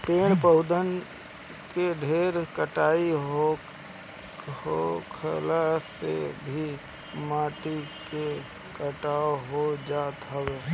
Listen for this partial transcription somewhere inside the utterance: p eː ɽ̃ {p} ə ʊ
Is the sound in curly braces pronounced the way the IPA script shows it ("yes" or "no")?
yes